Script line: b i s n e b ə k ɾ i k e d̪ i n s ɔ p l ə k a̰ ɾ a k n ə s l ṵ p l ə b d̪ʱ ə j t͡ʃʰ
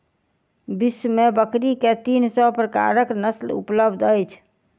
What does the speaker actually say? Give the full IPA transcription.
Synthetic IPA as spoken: b i s m e b ə k ɾ i k e t̪ i n s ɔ p ɾ ə k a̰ ɾ ə k n ə s l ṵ p l ə b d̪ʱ ə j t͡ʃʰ

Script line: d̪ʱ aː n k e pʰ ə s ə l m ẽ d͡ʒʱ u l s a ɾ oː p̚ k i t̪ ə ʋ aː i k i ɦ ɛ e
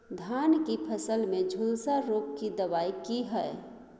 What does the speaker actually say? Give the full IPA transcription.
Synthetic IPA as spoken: d̪ʱ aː n k i pʰ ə s ə l m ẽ d͡ʒʱ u l s a ɾ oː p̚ k i d̪ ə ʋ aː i k i ɦ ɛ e

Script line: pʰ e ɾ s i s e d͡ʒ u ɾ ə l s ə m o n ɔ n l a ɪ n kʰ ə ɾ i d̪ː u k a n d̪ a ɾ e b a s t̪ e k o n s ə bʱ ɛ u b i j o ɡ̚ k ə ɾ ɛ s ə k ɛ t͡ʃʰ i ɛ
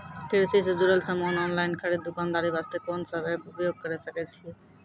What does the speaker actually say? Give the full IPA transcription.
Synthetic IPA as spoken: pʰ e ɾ s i s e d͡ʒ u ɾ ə l s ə m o n ɔ n l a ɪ n kʰ ə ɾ i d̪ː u k a n d̪ a ɾ i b a s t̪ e k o n s ə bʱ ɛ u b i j o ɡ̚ k ə ɾ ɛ s ə k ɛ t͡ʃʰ i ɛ

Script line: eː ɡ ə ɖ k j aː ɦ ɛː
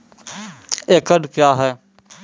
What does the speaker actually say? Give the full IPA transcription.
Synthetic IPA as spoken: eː k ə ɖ k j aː ɦ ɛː

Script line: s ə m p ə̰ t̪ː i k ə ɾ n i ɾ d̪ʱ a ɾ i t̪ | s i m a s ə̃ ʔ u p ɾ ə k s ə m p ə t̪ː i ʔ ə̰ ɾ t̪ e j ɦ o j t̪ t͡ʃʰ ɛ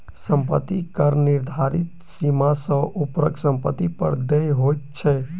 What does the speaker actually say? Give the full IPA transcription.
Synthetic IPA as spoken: s ə m p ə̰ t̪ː i k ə ɾ n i ɾ d̪ʱ a ɾ i t̪ | s i m a s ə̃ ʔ u p ɾ ə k s ə m p ə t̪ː i p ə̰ ɾ d̪ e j ɦ o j t̪ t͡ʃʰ ɛ

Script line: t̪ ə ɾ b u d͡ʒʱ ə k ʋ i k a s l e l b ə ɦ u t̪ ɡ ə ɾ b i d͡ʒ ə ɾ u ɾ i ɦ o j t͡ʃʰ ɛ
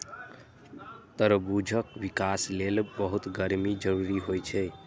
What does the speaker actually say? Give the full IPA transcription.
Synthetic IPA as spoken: t̪ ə ɾ b u d͡ʒʱ ə k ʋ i k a s l e l b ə ɦ u t̪ ɡ ə ɾ m i d͡ʒ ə ɾ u ɾ i ɦ o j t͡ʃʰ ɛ

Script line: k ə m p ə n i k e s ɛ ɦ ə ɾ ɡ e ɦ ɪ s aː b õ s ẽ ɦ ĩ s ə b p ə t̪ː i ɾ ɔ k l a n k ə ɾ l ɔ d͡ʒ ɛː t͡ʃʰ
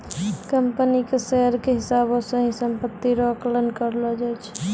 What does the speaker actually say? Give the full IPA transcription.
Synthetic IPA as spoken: k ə m p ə n i k e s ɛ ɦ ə ɾ k e ɦ ɪ s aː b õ s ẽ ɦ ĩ s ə m p ə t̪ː i ɾ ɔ k l ə n k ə ɾ l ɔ d͡ʒ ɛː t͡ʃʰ

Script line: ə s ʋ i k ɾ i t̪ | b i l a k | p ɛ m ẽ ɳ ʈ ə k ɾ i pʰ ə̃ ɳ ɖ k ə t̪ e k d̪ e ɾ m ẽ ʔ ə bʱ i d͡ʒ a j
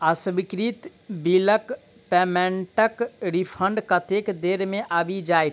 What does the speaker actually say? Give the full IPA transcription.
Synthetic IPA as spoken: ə s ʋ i k ɾ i t̪ | b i l ə k | p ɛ m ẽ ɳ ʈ ə k ɾ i pʰ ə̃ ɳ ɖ k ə t̪ e k d̪ e ɾ m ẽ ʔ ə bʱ i d͡ʒ a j

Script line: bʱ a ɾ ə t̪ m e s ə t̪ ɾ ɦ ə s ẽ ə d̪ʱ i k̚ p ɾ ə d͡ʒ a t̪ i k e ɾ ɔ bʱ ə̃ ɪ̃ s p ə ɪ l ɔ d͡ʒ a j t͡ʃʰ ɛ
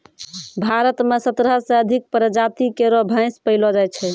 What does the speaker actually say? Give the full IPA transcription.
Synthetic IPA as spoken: bʱ a ɾ ə t̪ m e s ə t̪ ɾ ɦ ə s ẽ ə d̪ʱ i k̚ p ɾ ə d͡ʒ a t̪ i k e ɾ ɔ bʱ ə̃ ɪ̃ s p ə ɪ l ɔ d͡ʒ a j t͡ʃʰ ɛ

